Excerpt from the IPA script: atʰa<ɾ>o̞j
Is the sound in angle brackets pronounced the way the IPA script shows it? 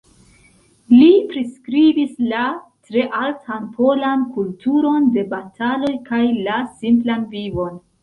no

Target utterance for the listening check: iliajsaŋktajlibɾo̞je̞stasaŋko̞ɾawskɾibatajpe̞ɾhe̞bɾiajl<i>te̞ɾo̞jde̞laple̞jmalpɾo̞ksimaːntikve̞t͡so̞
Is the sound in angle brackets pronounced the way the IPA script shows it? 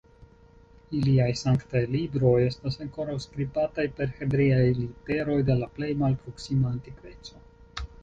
yes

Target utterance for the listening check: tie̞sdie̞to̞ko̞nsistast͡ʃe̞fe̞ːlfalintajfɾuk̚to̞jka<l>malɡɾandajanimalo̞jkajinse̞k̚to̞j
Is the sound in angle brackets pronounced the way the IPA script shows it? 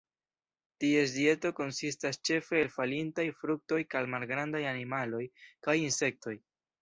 yes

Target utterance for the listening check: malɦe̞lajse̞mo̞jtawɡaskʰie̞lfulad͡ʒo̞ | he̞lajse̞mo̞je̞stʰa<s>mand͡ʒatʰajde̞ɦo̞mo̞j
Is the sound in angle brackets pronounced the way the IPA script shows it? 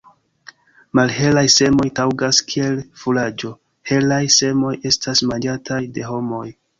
yes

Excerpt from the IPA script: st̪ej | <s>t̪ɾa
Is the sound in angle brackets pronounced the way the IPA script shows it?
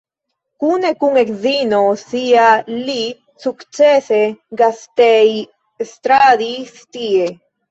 yes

